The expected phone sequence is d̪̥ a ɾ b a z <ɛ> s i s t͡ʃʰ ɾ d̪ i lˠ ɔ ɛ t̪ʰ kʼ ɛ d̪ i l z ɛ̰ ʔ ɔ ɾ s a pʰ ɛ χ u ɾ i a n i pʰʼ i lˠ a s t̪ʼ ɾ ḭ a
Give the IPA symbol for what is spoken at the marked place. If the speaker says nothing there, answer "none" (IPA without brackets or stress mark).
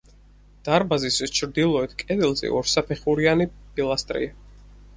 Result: i